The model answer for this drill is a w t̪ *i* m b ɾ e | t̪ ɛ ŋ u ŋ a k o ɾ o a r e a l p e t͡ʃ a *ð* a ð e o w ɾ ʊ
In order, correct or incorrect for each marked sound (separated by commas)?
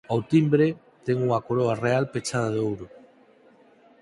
correct, correct